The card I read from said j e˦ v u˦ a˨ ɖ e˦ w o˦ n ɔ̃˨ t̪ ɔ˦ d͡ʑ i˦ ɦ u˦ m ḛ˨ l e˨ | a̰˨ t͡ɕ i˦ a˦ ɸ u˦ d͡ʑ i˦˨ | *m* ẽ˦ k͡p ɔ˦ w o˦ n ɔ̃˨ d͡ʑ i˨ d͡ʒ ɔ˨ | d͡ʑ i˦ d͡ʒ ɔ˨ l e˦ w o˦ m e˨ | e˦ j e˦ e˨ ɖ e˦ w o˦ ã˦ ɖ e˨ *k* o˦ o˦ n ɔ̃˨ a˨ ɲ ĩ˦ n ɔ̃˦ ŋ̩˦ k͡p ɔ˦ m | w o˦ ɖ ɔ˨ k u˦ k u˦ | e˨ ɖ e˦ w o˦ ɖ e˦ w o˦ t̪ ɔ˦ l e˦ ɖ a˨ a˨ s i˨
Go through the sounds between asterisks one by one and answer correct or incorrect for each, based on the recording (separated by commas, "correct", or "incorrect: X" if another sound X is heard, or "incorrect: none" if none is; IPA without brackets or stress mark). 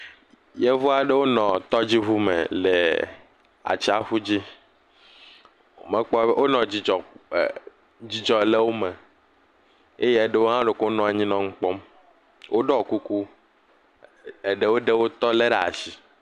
correct, correct